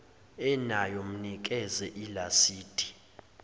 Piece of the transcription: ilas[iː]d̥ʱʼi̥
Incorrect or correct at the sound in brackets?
correct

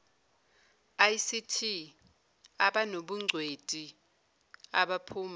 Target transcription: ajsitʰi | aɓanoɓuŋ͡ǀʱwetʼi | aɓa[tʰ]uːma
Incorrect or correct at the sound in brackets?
incorrect: pʰ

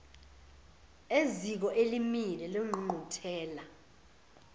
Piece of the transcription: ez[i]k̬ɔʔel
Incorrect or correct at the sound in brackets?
correct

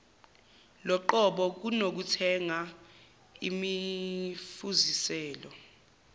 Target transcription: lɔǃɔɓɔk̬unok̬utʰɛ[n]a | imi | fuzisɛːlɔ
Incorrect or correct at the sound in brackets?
incorrect: ŋ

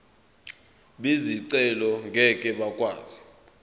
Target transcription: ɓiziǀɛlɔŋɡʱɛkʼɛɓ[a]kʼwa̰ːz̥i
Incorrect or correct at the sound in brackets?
correct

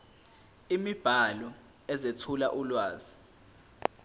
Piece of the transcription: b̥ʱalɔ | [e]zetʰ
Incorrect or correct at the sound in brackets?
incorrect: ɛ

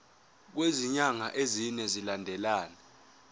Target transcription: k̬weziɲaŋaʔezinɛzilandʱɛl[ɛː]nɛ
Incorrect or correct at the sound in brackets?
incorrect: aː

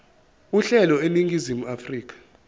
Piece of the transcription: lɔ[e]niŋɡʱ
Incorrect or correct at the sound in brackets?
correct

